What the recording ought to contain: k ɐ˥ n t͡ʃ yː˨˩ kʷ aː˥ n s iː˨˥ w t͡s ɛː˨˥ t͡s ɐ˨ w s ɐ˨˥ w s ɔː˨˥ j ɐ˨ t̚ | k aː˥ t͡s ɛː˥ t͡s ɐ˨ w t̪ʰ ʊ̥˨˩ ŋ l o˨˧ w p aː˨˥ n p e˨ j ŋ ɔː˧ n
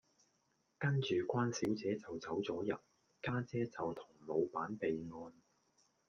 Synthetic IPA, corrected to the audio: k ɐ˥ n t͡ʃ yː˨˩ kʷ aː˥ n s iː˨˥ w t͡s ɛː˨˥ t͡s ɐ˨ w t͡s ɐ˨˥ w t͡s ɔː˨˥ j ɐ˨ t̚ | k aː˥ t͡s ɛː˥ t͡s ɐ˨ w t̪ʰ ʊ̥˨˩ ŋ l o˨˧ w p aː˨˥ n p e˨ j ŋ ɔː˧ n